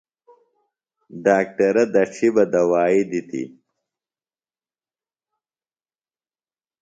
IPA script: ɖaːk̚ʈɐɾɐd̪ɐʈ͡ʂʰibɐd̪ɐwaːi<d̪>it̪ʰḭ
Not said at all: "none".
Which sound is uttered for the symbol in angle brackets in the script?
d̪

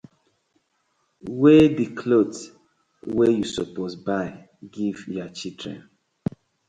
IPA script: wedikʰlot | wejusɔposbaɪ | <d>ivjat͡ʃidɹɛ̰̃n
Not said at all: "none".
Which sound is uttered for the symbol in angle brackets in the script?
ɡ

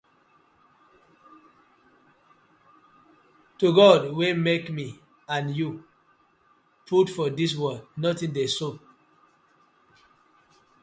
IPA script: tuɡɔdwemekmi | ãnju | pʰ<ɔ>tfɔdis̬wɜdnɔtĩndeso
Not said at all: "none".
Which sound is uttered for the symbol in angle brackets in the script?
u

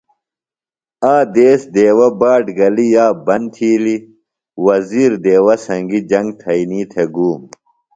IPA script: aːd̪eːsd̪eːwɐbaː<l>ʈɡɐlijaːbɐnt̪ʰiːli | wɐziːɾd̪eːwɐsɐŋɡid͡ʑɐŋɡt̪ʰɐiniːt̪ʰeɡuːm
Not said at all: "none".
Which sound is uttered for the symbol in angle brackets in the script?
none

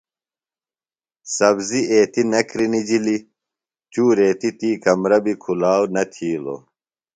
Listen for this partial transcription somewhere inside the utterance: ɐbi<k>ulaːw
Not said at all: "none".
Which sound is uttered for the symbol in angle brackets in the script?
kʰ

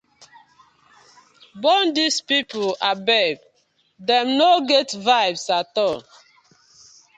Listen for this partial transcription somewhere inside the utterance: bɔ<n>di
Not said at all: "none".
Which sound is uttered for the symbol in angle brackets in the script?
n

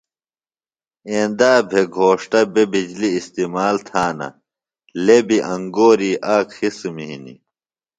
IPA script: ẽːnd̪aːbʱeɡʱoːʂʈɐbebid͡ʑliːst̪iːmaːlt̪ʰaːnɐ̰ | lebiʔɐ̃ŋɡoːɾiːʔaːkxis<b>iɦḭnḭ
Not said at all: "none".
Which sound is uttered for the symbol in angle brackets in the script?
m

